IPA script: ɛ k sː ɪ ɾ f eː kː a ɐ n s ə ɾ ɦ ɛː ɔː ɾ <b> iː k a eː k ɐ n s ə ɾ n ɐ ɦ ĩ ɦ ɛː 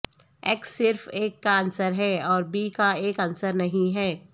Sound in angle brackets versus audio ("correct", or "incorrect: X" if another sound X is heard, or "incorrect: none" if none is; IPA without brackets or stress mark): correct